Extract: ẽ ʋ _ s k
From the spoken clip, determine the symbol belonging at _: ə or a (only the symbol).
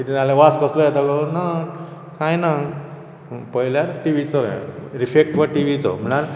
a